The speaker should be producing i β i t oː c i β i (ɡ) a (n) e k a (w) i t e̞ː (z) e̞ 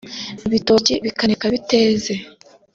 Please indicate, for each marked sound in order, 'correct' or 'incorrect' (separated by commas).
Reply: incorrect, correct, incorrect, correct